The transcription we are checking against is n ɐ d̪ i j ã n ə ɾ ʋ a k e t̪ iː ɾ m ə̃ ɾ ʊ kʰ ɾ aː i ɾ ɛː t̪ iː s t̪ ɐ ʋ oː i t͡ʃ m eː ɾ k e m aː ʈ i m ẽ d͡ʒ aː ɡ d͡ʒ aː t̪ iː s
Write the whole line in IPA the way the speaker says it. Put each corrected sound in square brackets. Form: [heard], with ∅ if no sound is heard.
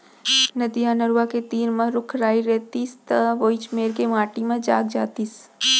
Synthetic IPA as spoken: n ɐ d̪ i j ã n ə ɾ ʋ a k e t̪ iː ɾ m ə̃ ɾ ʊ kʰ ɾ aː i ɾ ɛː t̪ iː s t̪ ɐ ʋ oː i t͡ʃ m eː ɾ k e m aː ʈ i m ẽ d͡ʒ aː ɡ d͡ʒ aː t̪ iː s